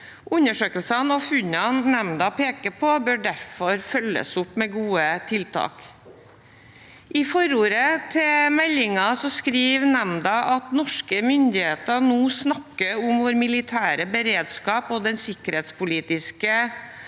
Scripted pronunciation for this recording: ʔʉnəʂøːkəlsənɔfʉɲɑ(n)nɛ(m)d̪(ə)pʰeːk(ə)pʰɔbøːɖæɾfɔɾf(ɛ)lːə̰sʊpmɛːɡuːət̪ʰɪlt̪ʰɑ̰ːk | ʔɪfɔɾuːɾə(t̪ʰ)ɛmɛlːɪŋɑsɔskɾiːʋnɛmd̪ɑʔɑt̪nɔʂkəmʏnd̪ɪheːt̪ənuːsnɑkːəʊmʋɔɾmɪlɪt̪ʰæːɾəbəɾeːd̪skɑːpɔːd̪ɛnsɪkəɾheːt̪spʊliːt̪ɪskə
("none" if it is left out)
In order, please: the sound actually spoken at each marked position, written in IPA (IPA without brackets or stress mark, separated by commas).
n, m, ɑ, ə, œ, t̪ʰ